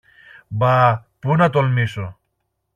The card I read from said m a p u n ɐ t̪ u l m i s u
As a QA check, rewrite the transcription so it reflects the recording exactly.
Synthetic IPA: b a p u n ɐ t̪ o l m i s o